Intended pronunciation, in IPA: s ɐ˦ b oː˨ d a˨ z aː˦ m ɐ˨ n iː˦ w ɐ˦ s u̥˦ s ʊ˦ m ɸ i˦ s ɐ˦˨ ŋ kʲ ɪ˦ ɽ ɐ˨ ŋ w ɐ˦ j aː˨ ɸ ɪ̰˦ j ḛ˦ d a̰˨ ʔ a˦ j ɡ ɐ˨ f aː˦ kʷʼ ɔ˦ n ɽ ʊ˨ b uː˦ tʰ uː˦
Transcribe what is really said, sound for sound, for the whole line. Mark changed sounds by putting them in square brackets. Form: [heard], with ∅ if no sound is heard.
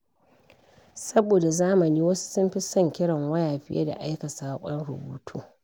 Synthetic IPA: s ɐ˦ b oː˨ d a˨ z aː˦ m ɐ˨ n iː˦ w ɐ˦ s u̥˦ s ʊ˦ m ɸ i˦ s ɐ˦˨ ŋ kʲ ɪ˦ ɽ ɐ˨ ŋ w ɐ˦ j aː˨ ɸ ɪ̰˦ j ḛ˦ d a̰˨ ʔ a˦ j [k] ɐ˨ [s] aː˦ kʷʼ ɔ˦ n ɽ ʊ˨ b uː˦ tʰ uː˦